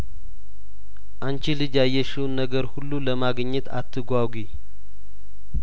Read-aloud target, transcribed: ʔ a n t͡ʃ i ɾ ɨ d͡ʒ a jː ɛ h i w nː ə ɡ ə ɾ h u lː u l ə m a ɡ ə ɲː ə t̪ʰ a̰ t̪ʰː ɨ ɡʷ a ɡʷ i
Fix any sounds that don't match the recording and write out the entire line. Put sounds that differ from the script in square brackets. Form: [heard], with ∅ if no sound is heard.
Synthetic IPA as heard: ʔ a n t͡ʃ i [l] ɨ d͡ʒ a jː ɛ [ʃ] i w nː ə ɡ ə ɾ h u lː u l ə m a ɡ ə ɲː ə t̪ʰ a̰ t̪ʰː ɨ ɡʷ a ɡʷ i